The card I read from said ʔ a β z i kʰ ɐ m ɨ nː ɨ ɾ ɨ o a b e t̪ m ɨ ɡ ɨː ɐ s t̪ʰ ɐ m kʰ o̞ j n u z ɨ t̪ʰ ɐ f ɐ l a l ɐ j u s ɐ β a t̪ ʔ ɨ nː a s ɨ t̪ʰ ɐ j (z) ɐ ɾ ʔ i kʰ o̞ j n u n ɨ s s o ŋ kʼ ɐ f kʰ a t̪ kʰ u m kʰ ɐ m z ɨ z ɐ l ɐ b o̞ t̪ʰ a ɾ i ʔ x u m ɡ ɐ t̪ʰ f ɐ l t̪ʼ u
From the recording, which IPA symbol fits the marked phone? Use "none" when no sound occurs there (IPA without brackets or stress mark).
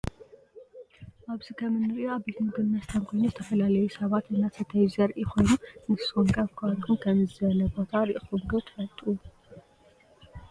z